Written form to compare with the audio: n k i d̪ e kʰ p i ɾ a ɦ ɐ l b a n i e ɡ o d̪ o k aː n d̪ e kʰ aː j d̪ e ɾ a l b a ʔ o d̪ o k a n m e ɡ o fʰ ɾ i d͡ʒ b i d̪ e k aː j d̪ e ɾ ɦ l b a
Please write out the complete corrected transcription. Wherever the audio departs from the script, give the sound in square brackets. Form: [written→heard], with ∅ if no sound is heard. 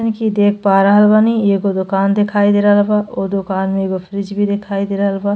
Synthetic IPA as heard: n k i d̪ e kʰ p [i→a] ɾ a ɦ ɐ l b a n i e ɡ o d̪ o k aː n d̪ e kʰ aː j d̪ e ɾ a l b a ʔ o d̪ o k a n m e ɡ o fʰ ɾ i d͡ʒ b i d̪ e [k→kʰ] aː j d̪ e ɾ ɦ l b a